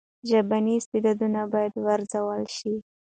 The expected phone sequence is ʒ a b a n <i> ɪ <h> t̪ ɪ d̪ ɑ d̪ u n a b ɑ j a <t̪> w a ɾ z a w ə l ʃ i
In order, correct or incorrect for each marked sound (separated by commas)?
correct, incorrect, incorrect